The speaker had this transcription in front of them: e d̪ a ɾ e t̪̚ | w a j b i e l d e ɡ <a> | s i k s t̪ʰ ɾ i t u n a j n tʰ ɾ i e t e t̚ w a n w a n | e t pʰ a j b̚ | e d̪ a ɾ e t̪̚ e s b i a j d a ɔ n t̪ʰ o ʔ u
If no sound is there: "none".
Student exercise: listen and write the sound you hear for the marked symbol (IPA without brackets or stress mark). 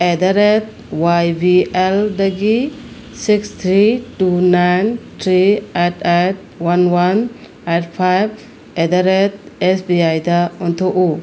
i